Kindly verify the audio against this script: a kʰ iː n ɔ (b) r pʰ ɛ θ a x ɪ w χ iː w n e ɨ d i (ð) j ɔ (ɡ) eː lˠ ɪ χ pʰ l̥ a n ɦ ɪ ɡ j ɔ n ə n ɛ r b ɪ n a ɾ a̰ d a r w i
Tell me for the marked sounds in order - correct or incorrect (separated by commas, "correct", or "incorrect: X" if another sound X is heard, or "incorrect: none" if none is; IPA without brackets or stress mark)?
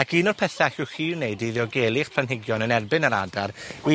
incorrect: none, correct, correct